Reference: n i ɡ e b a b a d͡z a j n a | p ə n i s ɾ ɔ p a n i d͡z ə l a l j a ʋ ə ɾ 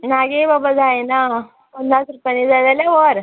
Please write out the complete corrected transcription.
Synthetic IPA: n a ɡ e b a b a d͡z a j n a | p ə n a s ɾ u p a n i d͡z a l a l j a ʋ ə ɾ